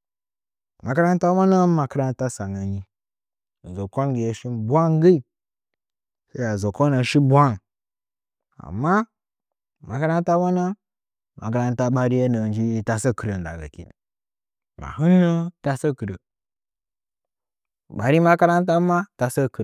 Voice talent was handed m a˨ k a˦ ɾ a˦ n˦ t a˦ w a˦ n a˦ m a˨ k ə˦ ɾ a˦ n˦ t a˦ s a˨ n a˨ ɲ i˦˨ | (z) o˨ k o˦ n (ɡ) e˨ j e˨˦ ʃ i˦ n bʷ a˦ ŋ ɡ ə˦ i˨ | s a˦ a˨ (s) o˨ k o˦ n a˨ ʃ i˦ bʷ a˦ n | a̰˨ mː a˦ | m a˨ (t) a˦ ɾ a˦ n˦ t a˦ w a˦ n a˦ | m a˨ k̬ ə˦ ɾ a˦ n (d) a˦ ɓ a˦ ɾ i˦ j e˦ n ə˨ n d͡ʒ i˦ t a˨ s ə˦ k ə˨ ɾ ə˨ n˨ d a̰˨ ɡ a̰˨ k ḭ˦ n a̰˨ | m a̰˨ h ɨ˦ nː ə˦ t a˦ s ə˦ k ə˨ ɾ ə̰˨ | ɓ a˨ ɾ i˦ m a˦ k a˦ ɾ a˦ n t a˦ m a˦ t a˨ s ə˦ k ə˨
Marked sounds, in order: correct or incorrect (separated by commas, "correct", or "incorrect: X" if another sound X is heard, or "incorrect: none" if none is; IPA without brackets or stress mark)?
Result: correct, correct, incorrect: z, incorrect: k, incorrect: t